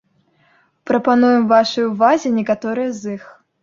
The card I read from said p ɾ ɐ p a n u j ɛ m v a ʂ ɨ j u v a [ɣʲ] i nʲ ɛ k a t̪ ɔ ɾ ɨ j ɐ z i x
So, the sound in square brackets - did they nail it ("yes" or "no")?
no